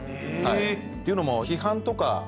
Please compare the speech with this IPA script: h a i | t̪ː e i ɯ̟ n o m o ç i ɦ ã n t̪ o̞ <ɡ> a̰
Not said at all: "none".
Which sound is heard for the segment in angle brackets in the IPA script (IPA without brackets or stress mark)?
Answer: k